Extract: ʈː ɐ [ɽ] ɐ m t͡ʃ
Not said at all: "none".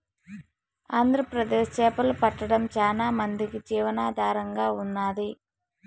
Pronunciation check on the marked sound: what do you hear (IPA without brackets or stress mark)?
ɽ